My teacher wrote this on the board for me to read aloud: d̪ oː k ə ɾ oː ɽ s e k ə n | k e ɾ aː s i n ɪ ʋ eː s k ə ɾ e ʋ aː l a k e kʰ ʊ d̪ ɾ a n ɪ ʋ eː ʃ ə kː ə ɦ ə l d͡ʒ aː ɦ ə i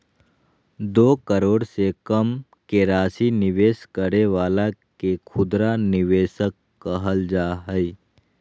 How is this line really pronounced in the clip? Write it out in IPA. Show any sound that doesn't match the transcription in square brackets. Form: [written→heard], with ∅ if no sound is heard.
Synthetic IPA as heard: d̪ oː k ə ɾ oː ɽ s e k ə [n→m] | k e ɾ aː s i n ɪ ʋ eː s k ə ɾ e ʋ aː l a k e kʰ ʊ d̪ ɾ a n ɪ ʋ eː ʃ ə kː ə ɦ ə l d͡ʒ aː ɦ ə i